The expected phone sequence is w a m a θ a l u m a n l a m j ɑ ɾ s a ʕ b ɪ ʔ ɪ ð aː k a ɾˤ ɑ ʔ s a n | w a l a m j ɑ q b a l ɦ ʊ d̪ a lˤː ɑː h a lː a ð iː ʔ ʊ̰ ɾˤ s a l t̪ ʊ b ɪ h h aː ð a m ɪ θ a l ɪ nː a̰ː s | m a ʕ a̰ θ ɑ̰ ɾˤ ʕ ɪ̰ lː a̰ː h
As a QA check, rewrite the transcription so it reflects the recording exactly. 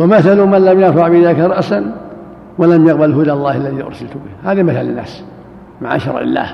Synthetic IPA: w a m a θ a l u m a n l a m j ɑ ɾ f a ʕ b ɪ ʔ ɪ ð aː k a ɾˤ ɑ ʔ s a n | w a l a m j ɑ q b a l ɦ ʊ d̪ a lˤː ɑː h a lː a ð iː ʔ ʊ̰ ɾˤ s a l t̪ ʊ b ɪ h h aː ð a m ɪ θ a l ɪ nː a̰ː s | m a ʕ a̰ ʃ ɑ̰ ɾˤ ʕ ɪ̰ lː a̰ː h